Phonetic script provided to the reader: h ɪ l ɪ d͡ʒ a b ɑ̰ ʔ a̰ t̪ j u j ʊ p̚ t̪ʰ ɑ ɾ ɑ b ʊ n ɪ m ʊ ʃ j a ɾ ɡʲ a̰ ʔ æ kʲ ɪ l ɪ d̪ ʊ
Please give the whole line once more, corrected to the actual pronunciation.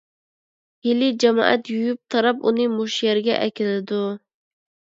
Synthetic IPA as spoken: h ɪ l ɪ d͡ʒ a m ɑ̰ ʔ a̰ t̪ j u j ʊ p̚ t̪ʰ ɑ ɾ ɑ p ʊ n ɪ m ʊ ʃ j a ɾ ɡʲ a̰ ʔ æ kʲ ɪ l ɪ d̪ ʊ